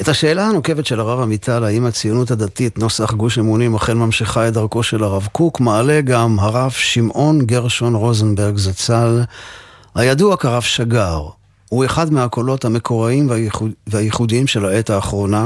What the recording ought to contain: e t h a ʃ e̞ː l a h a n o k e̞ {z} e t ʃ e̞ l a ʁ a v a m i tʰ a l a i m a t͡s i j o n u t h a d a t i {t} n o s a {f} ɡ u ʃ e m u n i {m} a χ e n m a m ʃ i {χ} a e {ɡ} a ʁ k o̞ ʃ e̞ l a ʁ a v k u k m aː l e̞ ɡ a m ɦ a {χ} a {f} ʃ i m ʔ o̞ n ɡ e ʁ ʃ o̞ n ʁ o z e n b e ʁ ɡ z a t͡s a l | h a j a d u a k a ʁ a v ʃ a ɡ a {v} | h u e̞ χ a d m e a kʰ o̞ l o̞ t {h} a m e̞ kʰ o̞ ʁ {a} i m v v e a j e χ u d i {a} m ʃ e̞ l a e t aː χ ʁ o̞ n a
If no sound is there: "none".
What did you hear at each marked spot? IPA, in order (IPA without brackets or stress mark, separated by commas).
v, t, χ, m, χ, d, ʁ, v, ʁ, h, a, i